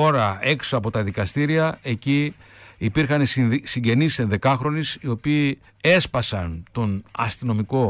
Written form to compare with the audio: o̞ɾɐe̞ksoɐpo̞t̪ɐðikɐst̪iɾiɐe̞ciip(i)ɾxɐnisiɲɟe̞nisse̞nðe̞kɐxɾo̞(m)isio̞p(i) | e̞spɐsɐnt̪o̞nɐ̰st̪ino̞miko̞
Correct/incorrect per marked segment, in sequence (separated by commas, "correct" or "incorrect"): correct, incorrect, incorrect